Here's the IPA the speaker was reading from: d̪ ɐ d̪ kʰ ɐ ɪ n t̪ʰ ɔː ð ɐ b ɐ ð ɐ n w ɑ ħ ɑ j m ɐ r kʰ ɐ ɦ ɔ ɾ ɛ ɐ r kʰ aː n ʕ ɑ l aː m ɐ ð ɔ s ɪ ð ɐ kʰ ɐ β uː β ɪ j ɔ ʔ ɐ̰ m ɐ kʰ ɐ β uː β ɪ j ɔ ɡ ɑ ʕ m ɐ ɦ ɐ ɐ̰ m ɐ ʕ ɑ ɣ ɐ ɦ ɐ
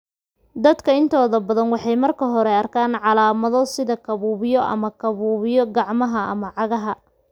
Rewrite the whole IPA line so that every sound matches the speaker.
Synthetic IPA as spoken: d̪ ɐ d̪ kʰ ɐ ɪ n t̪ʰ ɔː ð ɐ b ɐ ð ɐ n w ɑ ħ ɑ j m ɐ r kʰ ɐ ɦ ɔ ɾ ɛ ɐ r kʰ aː n ʕ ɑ l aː m ɐ ð ɔ s ɪ ð ɐ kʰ ɐ β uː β ɪ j ɔ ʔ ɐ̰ m ɐ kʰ ɐ β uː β ɪ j ɔ ɡ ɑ ʕ m ɐ ɦ ɐ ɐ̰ m ɐ ʕ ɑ ɣ ɐ ɦ ɐ

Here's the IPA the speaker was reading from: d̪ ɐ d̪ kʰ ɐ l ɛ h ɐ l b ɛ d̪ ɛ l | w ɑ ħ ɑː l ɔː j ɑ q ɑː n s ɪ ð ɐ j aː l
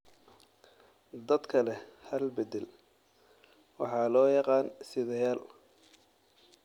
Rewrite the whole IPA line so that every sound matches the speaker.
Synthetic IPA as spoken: d̪ ɐ d̪ kʰ ɐ l ɛ h ɐ l b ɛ d̪ ɛ l | w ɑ ħ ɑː l ɔː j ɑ q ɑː n s ɪ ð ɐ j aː l

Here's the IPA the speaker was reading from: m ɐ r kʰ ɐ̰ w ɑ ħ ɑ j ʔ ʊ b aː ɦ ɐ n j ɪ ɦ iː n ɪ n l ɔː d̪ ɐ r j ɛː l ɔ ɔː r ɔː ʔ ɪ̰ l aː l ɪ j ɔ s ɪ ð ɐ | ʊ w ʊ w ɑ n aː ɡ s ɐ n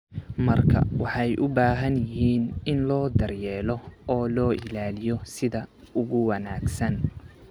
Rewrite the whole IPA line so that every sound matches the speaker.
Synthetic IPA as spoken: m ɐ r kʰ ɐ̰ w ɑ ħ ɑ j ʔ ʊ b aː ɦ ɐ n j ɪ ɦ iː n ɪ n l ɔː d̪ ɐ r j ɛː l ɔ ɔː l ɔː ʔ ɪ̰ l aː l ɪ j ɔ s ɪ ð ɐ | ʊ ɣ ʊ w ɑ n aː ɡ s ɐ n

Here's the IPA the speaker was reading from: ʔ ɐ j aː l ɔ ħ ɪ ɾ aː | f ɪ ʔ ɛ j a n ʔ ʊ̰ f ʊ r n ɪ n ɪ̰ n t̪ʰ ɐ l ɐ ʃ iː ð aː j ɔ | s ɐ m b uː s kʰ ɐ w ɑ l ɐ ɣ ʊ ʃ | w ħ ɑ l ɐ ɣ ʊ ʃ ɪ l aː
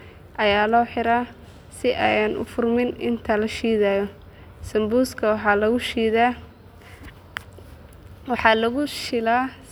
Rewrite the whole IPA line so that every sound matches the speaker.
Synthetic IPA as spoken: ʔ ɐ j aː l ɔː ħ ɪ ɾ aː | s ɪ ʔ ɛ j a n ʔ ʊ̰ f ʊ r m ɪ n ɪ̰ n t̪ʰ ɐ l ɐ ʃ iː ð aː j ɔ | s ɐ m b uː s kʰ ɐ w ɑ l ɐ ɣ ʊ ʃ | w ħ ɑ l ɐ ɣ ʊ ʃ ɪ l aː

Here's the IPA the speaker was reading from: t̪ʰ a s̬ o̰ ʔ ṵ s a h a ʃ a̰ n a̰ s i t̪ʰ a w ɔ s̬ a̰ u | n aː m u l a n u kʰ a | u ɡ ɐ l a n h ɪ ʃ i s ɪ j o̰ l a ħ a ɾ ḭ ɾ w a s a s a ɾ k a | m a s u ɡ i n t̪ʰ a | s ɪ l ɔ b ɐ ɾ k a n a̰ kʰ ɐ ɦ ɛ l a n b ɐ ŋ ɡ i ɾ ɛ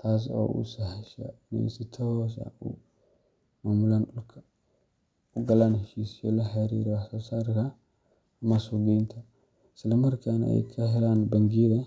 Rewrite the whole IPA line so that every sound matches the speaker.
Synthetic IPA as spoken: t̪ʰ a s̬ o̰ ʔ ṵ s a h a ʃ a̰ n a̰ s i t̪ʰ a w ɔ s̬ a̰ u | m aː m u l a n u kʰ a | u ɡ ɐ l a n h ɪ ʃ i s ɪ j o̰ l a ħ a ɾ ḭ ɾ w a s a s a ɾ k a | m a s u ɡ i n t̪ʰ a | s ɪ l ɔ m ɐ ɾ k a n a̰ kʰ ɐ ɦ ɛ l a n b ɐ ŋ ɡ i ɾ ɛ

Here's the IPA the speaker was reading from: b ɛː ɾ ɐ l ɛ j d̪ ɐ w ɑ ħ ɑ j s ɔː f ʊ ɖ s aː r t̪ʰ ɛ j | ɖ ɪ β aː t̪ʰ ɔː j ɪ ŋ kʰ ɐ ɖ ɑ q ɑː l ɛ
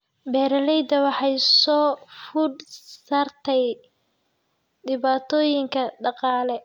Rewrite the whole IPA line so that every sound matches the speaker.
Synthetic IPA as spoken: b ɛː ɾ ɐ l ɛ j d̪ ɐ w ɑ ħ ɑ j s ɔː f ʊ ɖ s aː r t̪ʰ ɛ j | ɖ ɪ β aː t̪ʰ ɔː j ɪ ŋ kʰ ɐ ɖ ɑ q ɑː l ɛ

